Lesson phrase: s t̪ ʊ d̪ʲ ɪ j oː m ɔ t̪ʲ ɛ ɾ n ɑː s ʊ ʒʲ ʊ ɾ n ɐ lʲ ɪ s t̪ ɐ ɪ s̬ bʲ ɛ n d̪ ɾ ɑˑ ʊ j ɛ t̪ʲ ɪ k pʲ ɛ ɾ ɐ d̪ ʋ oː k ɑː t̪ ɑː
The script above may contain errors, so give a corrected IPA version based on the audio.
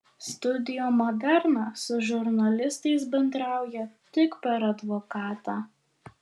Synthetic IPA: s t̪ ʊ d̪ʲ ɪ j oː m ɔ d̪ʲ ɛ ɾ n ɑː s ʊ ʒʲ ʊ ɾ n ɐ lʲ ɪ s t̪ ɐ ɪ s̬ bʲ ɛ n d̪ ɾ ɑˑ ʊ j ɛ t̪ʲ ɪ k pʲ ɛ ɾ ɐ d̪ ʋ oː k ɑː t̪ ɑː